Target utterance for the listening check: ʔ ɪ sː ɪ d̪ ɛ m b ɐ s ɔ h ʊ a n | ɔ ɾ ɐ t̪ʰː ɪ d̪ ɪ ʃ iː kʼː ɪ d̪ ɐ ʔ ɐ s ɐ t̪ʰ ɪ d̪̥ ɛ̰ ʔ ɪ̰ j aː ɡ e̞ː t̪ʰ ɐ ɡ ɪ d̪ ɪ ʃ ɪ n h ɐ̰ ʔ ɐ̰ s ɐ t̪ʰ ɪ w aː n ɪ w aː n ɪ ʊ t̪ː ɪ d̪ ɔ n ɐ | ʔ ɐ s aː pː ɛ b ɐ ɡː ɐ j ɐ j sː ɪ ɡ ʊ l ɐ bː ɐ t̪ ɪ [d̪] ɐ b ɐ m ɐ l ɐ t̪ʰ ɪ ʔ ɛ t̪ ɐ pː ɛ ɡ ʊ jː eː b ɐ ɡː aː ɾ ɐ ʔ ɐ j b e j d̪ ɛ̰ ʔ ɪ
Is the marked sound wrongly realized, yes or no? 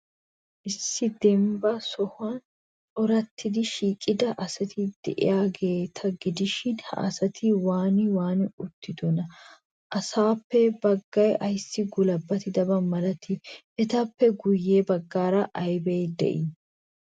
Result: no